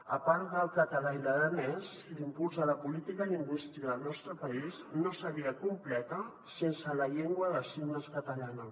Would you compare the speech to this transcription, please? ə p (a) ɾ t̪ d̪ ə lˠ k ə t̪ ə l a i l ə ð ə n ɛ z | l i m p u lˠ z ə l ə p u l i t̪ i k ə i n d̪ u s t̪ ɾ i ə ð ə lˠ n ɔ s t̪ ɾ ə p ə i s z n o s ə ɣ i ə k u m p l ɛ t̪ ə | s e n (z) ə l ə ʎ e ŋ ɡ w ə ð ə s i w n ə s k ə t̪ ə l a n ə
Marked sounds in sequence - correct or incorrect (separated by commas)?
correct, incorrect